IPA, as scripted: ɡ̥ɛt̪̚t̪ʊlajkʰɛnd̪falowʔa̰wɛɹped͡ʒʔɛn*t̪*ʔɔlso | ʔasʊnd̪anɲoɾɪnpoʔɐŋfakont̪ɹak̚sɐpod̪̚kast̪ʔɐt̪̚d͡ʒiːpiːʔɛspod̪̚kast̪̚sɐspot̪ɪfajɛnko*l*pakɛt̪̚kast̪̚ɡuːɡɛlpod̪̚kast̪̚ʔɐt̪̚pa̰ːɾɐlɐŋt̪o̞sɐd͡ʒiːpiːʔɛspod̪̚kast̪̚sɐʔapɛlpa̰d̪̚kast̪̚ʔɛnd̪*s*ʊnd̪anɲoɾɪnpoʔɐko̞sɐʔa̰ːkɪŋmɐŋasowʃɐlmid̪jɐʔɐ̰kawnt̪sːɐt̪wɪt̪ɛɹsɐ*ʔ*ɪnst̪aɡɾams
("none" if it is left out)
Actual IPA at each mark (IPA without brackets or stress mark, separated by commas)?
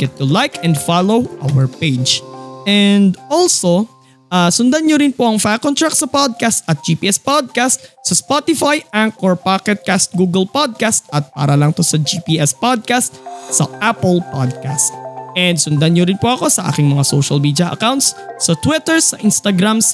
d̪, ɹ, s, ʔ